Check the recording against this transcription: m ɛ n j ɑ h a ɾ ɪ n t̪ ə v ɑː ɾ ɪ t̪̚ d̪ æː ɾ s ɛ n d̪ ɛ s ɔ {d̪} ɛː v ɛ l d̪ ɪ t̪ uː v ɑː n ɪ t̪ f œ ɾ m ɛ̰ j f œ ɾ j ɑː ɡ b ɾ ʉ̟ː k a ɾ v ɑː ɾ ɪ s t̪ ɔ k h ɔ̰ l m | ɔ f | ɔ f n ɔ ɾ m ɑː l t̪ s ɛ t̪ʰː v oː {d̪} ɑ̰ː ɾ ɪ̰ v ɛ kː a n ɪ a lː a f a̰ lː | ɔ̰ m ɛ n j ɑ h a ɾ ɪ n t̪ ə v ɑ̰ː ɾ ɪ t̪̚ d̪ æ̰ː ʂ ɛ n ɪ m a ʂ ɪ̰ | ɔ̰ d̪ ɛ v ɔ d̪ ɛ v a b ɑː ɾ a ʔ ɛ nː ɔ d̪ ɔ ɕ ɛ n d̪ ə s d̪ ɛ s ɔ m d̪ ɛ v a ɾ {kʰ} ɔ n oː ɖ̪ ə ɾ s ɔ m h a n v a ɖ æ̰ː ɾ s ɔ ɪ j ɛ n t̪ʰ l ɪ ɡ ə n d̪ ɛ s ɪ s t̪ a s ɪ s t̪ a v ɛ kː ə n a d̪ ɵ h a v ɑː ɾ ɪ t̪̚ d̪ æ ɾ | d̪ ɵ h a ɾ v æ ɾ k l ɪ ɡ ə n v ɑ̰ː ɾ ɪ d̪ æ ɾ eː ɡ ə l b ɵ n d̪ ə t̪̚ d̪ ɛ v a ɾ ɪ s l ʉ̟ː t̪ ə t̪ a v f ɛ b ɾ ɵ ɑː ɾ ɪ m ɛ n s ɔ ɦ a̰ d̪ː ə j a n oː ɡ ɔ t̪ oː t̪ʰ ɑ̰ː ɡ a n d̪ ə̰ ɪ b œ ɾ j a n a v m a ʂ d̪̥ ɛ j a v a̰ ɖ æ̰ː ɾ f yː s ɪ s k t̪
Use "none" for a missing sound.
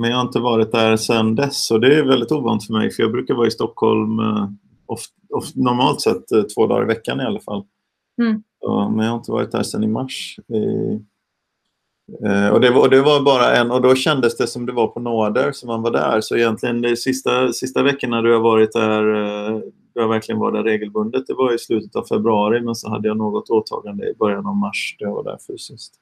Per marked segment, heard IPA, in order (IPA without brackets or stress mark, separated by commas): d̪, d̪, pʰ